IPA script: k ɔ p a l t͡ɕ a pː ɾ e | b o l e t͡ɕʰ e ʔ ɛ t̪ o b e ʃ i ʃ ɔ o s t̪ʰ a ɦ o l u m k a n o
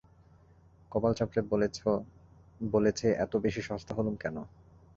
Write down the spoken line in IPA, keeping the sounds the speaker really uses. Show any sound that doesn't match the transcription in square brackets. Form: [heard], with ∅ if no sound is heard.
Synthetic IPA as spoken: k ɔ p a l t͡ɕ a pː ɾ e | b o l e t͡ɕʰ e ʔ ɛ t̪ o b e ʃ i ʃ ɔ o s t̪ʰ a ɦ o l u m k [ɛ] n o